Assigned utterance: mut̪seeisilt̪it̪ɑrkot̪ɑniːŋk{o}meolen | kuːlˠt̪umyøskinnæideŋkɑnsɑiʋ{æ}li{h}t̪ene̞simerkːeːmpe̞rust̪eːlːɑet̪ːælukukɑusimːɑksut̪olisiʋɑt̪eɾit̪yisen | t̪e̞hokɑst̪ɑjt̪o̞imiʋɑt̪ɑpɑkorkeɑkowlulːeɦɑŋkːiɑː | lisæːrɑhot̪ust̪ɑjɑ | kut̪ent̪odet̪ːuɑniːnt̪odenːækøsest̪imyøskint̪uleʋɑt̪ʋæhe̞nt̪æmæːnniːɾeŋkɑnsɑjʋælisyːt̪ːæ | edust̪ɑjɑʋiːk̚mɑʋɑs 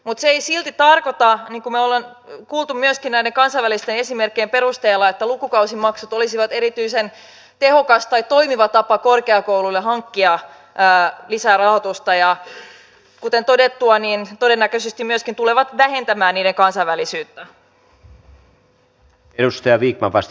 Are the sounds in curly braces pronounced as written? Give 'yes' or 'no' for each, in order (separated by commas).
no, yes, no